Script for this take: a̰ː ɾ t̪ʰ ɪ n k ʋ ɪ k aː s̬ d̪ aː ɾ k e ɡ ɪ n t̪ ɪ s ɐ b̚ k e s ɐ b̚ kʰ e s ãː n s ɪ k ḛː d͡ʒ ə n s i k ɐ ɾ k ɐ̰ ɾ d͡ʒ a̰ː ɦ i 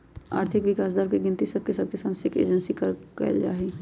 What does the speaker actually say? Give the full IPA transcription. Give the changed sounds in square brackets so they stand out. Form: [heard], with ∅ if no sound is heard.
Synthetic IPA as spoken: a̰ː ɾ t̪ʰ ɪ [∅] k ʋ ɪ k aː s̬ d̪ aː ɾ k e ɡ ɪ n t̪ [i] s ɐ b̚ k e s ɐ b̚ [k] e s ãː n s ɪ k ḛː d͡ʒ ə n s i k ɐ ɾ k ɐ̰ [l] d͡ʒ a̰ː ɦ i